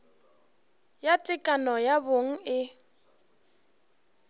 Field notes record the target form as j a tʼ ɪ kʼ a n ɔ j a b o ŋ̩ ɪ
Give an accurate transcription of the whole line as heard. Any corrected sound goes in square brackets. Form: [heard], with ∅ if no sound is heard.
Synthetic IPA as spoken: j a tʼ ɪ kʼ a n ɔ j a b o ŋ̩ ɪ